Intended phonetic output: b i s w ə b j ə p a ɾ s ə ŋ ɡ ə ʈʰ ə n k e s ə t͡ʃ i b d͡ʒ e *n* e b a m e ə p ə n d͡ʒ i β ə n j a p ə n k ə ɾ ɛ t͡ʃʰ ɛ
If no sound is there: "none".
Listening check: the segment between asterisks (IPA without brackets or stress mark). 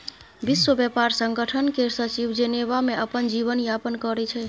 n